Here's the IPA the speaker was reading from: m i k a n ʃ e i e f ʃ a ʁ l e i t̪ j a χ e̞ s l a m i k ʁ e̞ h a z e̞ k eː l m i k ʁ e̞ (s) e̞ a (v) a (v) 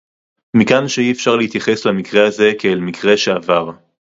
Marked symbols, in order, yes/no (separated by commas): no, yes, no